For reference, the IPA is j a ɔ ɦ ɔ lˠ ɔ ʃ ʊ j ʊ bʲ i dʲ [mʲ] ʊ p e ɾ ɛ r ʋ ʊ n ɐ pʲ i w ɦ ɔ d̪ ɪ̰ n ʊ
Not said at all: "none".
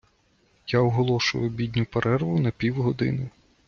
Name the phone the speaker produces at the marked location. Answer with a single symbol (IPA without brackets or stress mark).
nʲ